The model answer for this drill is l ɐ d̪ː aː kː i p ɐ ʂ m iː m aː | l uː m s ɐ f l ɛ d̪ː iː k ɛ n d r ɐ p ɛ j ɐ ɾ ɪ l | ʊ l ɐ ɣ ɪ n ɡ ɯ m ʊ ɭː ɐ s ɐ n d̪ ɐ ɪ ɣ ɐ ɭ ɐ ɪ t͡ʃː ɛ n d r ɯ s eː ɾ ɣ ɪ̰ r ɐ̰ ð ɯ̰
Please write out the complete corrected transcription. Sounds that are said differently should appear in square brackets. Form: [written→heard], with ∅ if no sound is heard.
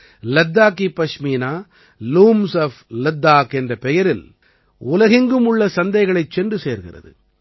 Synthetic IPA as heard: l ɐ d̪ː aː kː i p ɐ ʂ m iː [m→n] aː | l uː m s ɐ f l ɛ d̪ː [iː→aː] k ɛ n d r ɐ p ɛ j ɐ ɾ ɪ l | ʊ l ɐ ɣ ɪ [n→ŋ] ɡ ɯ m ʊ ɭː ɐ s ɐ n d̪ ɐ ɪ ɣ ɐ ɭ ɐ ɪ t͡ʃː ɛ n d r ɯ s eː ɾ ɣ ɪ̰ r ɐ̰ ð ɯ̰